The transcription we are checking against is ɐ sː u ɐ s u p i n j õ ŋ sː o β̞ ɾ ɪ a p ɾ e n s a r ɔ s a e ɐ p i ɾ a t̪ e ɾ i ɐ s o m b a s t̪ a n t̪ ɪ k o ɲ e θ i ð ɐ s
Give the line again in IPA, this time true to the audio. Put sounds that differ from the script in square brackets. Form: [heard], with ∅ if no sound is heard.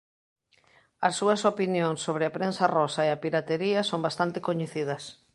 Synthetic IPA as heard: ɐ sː u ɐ s [o] p i n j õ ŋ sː o β̞ ɾ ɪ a p ɾ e n s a r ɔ s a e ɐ p i ɾ a t̪ e ɾ i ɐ s o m b a s t̪ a n t̪ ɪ k o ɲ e θ i ð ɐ s